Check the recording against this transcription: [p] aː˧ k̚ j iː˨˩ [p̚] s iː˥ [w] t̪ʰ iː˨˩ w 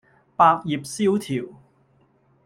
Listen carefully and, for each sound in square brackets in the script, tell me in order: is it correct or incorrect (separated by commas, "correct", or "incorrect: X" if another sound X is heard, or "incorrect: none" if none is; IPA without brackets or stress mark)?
correct, correct, correct